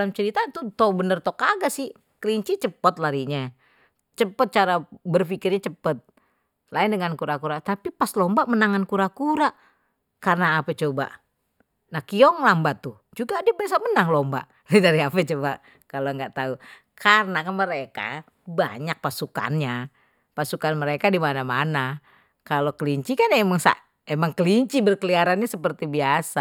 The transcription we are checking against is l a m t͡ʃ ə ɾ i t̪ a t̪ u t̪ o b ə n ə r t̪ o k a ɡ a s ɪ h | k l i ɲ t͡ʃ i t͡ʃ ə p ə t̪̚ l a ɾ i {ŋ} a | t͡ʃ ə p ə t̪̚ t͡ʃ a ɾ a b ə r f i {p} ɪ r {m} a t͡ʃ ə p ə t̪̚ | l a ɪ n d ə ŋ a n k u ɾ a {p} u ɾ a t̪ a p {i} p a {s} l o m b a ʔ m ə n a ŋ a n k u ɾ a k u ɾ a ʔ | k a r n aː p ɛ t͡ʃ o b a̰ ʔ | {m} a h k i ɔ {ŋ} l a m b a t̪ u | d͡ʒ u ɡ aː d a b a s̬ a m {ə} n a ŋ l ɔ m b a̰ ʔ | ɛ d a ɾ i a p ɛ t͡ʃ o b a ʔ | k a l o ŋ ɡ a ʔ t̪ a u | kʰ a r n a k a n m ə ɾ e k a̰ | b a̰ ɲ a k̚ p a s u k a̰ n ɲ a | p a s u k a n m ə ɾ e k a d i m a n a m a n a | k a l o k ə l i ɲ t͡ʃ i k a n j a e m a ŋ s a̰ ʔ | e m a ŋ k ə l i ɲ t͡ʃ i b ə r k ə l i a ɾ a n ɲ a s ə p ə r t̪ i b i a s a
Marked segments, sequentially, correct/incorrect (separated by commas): incorrect, incorrect, incorrect, incorrect, correct, correct, incorrect, correct, correct